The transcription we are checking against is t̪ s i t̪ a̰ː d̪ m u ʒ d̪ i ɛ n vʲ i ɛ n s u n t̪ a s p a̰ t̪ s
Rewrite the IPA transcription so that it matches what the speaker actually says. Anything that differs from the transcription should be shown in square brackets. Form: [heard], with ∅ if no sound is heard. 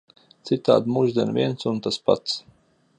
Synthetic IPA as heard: t̪ s i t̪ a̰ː d̪ m u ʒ d̪ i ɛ n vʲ i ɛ n s u n t̪ a s p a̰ t̪ s